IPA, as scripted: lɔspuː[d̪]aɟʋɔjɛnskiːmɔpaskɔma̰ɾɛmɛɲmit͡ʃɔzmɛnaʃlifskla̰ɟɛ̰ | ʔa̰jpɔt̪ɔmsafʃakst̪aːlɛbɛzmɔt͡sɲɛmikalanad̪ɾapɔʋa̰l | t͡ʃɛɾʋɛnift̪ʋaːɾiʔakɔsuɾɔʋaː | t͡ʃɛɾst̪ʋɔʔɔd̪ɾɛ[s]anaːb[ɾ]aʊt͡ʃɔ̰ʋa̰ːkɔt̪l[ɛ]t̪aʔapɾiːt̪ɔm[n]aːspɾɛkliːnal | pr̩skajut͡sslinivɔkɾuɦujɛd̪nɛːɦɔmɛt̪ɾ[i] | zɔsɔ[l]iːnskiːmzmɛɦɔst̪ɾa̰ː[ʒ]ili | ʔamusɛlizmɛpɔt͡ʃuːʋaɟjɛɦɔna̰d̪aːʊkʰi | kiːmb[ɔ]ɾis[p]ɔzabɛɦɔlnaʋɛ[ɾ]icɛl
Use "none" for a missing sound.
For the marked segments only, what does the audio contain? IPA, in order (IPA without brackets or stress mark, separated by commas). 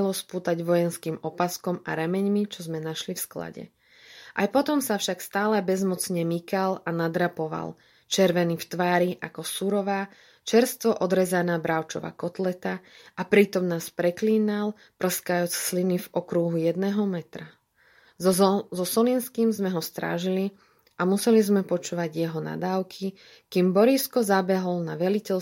t̪, z, ɾ, ɛ, n, a, l, ʒ, ɔ, k, l